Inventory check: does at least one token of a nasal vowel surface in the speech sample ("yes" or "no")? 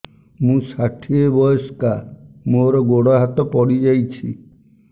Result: yes